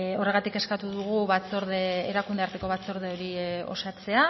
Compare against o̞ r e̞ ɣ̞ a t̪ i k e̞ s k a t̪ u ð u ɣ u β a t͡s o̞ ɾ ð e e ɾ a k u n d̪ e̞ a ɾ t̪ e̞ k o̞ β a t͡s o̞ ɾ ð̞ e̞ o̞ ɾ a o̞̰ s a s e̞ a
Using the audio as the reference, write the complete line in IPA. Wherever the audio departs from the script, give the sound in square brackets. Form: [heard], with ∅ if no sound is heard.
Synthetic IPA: o̞ r e̞ ɣ̞ a t̪ i k e̞ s k a t̪ u ð u ɣ u β a t͡s o̞ ɾ ð e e ɾ a k u n d̪ e̞ a ɾ t̪ e̞ k o̞ β a t͡s o̞ ɾ ð̞ e̞ o̞ ɾ [i] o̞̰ s a [t͡s] e̞ a